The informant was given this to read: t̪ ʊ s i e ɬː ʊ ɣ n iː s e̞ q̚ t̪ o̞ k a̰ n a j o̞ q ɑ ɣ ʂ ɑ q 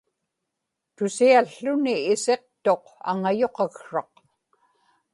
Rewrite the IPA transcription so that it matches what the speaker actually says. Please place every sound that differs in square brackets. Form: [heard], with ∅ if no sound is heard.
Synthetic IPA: t̪ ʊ s i [a] ɬː ʊ [∅] n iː s e̞ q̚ t̪ o̞ [q] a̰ [ŋ] a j o̞ q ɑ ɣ ʂ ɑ q